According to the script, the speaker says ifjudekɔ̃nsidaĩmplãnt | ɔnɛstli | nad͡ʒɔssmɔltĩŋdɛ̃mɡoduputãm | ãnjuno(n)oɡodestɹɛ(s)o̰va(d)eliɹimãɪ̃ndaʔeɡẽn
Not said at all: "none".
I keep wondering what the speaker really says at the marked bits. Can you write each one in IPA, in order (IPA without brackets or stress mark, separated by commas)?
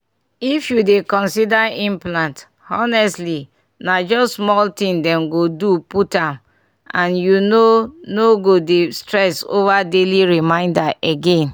n, s, d